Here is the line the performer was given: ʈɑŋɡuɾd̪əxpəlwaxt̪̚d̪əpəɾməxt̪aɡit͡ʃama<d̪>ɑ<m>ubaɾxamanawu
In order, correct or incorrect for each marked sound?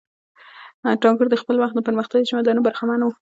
correct, incorrect: n

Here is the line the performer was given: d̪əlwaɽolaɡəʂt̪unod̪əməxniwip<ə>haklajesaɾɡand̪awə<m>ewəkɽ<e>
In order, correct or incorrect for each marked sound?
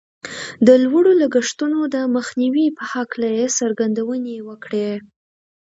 correct, incorrect: n, correct

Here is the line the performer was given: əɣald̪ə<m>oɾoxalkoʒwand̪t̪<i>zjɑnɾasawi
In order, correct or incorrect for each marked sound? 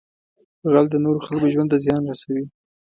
incorrect: n, incorrect: a

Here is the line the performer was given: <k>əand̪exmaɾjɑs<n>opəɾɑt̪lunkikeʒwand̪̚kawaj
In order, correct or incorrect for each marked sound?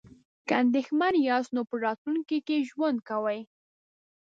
correct, correct

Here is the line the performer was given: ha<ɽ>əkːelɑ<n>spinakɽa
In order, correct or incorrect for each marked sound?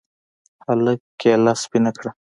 incorrect: l, incorrect: none

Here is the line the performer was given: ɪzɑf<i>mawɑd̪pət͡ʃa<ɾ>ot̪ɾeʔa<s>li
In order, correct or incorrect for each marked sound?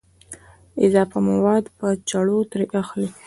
incorrect: a, incorrect: ɽ, incorrect: x

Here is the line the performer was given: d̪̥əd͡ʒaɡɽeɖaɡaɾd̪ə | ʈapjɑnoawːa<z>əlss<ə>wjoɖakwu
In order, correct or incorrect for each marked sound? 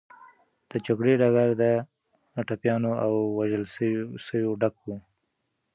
incorrect: ʒ, correct

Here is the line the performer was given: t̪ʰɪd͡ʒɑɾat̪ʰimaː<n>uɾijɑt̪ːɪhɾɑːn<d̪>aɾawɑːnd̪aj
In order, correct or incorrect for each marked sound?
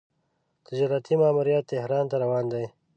incorrect: m, incorrect: t̪

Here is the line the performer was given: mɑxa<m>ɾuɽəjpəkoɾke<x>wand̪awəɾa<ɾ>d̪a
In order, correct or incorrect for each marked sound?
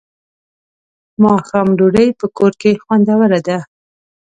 correct, correct, incorrect: none

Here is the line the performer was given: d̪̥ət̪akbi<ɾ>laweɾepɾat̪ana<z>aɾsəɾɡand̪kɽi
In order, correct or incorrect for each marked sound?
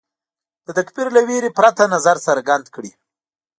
correct, correct

